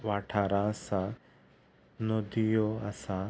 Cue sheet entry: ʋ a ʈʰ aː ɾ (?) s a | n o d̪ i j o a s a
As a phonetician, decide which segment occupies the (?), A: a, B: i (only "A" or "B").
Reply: A